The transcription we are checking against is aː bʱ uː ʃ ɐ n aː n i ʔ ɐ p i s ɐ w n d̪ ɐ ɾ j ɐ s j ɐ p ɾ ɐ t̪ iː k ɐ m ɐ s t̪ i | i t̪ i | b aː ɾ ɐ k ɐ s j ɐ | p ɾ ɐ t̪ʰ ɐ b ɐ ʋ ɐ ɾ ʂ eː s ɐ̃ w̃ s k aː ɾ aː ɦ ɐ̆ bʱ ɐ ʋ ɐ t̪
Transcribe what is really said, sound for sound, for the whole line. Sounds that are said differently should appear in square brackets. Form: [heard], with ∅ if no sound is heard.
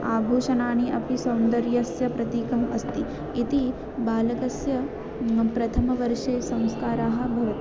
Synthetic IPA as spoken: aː bʱ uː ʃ ɐ n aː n i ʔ ɐ p i s ɐ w n d̪ ɐ ɾ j ɐ s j ɐ p ɾ ɐ t̪ iː k ɐ m ɐ s t̪ i | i t̪ i | b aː [l] ɐ k ɐ s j ɐ | p ɾ ɐ t̪ʰ ɐ [m] ɐ ʋ ɐ ɾ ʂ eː s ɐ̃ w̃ s k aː ɾ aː ɦ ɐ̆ bʱ ɐ ʋ ɐ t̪